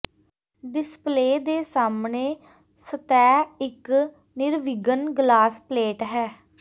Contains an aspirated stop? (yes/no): no